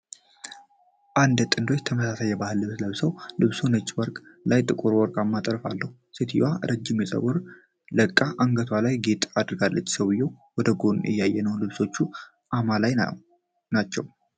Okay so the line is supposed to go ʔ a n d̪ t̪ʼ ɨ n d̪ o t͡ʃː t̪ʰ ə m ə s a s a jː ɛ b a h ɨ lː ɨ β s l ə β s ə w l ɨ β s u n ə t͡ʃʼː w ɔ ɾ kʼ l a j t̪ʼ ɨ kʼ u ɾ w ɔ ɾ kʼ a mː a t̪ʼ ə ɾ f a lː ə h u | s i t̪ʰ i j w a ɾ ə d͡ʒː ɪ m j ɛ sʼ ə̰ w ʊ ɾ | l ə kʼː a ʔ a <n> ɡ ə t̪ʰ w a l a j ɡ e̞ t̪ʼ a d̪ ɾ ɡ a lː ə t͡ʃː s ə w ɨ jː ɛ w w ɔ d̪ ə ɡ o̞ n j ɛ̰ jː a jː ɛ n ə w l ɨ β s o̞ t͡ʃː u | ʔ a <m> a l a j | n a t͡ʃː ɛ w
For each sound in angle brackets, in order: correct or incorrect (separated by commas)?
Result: incorrect, correct